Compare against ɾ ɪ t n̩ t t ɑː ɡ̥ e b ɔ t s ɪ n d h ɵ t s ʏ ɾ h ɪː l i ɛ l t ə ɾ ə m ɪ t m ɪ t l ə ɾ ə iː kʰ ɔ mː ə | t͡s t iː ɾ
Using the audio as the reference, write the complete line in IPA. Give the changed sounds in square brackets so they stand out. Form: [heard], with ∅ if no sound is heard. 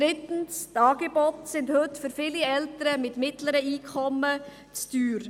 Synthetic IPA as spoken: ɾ ɪ t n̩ [s] t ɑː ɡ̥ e b ɔ t s ɪ n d h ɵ t [f] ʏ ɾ [f] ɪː l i ɛ l t ə ɾ ə m ɪ t m ɪ t l ə ɾ ə iː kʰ ɔ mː ə | t͡s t [yː] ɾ